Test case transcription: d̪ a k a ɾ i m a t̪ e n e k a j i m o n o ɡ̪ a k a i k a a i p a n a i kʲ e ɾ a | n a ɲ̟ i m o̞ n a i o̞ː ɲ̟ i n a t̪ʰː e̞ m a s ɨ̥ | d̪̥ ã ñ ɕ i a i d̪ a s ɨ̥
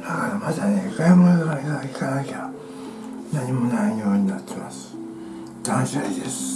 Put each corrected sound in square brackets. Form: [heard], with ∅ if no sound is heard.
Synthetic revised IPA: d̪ a k a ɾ [a] m a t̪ [a] n e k a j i m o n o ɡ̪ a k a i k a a i [k] a n a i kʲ e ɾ a | n a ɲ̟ i m o̞ n a i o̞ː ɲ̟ i n a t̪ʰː e̞ m a s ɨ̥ | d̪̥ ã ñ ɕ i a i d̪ [e] s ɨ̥